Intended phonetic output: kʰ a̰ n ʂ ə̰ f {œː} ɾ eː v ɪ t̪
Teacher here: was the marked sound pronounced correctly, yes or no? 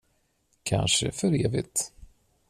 no